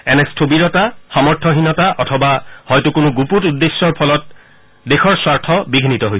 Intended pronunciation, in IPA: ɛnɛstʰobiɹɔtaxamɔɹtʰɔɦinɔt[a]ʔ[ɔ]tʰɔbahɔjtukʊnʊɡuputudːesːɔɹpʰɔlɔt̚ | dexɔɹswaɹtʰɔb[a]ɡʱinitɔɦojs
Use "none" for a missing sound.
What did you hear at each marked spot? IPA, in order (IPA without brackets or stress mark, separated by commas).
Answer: a, ɔ, i